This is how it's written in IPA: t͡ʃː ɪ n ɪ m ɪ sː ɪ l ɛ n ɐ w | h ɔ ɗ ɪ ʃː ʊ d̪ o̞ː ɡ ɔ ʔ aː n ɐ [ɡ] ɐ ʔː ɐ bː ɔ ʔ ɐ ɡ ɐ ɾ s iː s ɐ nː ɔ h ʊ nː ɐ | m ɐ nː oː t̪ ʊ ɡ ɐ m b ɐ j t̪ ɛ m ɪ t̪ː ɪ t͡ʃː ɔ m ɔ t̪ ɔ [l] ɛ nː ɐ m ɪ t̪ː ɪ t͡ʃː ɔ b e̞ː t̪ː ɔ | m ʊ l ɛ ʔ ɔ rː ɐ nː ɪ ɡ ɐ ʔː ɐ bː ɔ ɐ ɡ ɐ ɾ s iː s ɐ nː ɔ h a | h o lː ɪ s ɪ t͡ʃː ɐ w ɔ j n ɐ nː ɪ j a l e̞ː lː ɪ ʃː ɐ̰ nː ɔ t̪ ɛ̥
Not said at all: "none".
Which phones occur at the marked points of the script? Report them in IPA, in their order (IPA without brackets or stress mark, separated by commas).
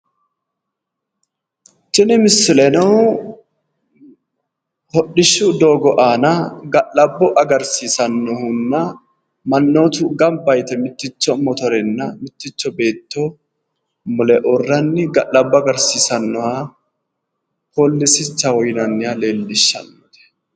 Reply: ɡ, ɾ